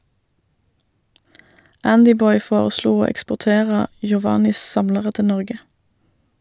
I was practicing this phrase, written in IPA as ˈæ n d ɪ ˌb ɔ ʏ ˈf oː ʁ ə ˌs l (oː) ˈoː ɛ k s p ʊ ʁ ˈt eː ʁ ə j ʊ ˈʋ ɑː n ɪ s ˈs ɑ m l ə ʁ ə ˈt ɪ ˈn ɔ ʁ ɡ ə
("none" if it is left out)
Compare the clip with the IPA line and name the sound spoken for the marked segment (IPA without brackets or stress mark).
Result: uː